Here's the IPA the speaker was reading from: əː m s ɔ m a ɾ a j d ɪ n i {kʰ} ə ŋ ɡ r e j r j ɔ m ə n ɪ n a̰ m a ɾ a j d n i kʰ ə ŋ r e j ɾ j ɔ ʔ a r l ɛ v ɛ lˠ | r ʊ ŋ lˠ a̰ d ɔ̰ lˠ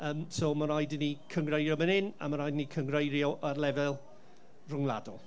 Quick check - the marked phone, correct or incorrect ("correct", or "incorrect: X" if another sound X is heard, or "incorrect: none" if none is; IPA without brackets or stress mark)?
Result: correct